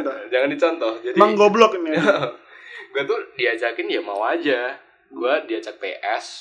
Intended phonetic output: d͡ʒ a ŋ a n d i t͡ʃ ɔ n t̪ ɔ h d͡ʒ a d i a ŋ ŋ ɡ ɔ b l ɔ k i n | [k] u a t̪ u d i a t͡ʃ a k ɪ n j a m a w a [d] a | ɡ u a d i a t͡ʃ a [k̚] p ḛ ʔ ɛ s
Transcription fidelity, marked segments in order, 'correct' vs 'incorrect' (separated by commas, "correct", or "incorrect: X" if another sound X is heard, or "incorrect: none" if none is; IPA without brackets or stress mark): incorrect: ɡ, incorrect: d͡ʒ, correct